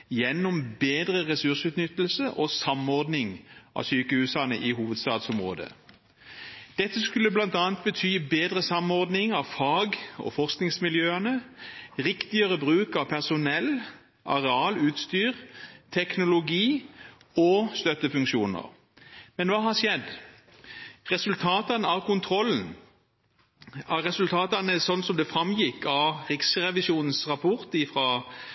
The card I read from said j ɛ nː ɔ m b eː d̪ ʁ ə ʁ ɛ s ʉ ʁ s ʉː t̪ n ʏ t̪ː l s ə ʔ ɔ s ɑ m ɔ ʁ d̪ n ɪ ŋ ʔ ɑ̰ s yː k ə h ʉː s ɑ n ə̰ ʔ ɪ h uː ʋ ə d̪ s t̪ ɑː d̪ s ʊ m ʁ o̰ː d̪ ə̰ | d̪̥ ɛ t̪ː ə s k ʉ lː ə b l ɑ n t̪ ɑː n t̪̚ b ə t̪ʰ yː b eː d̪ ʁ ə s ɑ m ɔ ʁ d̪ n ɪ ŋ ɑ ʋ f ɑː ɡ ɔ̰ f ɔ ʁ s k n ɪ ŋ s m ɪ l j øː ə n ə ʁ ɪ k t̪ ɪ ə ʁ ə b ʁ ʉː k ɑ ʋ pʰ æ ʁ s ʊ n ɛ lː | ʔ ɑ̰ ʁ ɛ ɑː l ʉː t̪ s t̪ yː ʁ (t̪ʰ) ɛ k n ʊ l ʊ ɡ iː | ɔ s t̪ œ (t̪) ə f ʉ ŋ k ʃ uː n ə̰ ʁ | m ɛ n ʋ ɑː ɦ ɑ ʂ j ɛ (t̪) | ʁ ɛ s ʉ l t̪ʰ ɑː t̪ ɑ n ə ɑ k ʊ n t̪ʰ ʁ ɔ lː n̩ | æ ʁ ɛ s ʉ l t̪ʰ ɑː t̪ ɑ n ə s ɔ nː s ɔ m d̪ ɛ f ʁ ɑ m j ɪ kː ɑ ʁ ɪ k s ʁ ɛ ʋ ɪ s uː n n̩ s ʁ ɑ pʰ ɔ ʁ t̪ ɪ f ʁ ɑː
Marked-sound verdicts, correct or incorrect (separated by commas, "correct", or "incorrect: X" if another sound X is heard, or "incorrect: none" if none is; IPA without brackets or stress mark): correct, correct, incorrect: d̪